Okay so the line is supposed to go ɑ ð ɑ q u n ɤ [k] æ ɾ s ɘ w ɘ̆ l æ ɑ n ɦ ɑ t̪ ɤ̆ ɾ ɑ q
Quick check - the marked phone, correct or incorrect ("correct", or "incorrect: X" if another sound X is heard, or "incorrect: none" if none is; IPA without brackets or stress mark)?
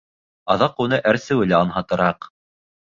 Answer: incorrect: ʔ